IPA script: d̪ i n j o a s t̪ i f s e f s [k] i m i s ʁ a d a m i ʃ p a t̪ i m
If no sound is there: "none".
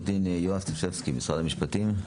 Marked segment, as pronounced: k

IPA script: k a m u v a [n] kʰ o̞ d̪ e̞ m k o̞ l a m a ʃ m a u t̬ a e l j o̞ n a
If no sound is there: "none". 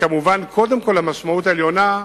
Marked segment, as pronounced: n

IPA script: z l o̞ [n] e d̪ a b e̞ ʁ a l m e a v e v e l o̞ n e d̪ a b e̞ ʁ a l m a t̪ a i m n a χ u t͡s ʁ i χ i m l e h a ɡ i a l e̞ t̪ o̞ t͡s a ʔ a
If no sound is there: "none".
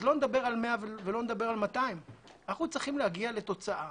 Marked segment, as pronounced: n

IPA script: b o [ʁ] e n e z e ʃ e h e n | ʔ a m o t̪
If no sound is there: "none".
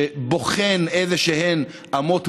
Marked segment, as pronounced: χ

